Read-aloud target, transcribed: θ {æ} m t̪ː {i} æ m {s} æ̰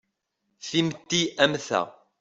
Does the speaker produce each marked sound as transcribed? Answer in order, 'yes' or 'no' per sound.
no, yes, no

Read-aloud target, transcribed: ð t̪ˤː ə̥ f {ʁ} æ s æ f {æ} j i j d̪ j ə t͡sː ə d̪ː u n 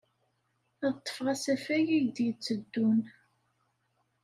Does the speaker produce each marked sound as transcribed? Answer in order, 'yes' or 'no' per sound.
yes, yes

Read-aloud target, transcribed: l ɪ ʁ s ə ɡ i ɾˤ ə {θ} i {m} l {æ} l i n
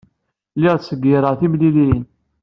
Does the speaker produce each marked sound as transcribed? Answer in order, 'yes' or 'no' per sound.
yes, yes, no

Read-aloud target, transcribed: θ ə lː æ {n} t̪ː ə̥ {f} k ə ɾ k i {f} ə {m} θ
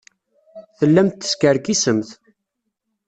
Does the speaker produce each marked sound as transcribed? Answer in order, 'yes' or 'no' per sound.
no, no, no, yes

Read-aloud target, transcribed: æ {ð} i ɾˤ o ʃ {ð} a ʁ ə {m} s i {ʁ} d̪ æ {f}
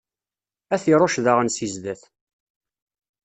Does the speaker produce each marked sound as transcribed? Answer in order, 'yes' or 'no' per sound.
no, yes, no, no, no

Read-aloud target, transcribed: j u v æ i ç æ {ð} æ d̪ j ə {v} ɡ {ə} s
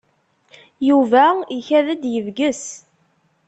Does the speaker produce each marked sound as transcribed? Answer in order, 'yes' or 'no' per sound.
yes, yes, yes

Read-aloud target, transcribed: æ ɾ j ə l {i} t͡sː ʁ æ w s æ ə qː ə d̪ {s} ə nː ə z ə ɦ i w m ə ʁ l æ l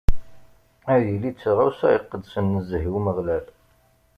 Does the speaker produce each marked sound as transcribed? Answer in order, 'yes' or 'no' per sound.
yes, yes

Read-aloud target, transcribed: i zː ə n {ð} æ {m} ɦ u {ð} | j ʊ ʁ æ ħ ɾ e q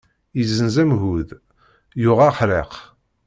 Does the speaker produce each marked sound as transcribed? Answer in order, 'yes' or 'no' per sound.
no, yes, yes

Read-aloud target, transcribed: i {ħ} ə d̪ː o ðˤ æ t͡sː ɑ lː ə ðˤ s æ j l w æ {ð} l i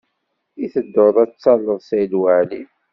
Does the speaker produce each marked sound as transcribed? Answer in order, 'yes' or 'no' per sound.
no, no

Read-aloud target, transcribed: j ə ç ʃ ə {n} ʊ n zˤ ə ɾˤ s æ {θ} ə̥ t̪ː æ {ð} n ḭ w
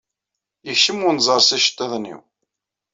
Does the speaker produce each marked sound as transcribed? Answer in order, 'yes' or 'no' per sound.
no, no, yes

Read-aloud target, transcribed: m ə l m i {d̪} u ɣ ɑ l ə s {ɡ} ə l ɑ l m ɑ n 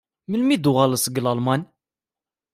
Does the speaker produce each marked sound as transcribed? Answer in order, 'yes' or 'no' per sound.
yes, yes

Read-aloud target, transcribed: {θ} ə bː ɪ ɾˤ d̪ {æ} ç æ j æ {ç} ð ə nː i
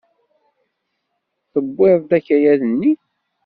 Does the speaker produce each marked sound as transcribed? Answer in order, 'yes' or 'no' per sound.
yes, yes, no

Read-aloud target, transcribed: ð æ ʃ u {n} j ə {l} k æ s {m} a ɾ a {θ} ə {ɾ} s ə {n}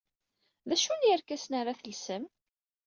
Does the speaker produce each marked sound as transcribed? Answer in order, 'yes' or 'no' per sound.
yes, no, no, yes, no, no

